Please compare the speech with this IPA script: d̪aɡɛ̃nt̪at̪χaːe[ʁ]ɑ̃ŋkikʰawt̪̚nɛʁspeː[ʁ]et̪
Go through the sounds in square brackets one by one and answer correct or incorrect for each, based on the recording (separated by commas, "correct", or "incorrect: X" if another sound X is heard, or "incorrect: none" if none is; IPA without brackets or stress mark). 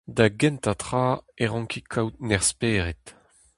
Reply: correct, correct